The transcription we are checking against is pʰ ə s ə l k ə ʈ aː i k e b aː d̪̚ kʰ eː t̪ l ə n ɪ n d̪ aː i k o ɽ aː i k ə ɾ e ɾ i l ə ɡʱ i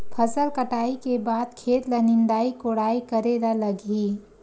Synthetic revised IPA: pʰ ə s ə l k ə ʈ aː i k e b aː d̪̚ kʰ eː t̪ l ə n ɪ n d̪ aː i k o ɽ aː i k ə ɾ e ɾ a l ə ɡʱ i